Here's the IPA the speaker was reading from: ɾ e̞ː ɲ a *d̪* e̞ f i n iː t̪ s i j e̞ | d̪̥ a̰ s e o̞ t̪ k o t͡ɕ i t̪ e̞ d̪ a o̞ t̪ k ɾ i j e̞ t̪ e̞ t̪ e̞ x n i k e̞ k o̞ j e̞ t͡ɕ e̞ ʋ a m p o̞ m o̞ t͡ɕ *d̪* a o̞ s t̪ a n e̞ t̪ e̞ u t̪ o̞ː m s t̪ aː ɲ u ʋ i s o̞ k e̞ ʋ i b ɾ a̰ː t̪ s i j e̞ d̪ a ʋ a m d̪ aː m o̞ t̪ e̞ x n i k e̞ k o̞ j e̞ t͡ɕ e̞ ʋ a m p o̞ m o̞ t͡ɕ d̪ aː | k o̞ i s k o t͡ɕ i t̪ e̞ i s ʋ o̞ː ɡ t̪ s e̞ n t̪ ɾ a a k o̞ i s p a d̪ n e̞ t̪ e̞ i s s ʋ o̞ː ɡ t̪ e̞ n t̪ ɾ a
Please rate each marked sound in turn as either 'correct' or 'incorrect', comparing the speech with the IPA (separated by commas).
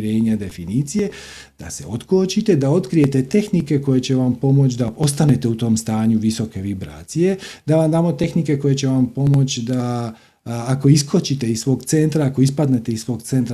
correct, correct